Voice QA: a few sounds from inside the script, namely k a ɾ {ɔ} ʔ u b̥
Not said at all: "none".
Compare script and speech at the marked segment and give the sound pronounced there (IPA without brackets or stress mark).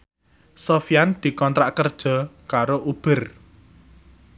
o